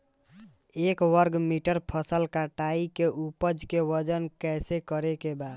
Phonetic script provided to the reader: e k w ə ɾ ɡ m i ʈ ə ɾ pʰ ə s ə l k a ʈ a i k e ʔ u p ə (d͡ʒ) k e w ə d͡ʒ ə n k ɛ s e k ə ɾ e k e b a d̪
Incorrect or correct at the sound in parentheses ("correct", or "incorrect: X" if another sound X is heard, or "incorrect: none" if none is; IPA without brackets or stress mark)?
correct